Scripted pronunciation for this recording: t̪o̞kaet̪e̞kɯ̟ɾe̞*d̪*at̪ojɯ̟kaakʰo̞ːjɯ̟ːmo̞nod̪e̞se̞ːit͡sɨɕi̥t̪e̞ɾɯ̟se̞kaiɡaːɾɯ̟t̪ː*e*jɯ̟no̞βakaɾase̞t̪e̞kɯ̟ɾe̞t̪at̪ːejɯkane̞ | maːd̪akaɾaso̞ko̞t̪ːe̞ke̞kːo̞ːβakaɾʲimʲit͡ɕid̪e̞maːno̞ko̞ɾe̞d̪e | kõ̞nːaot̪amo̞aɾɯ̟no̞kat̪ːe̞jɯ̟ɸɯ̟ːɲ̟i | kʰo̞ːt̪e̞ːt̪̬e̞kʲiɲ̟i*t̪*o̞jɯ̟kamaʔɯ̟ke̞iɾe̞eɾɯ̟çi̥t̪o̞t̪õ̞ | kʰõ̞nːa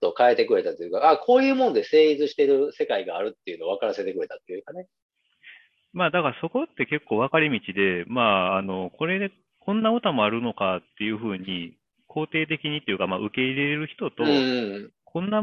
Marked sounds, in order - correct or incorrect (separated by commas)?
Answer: incorrect, correct, correct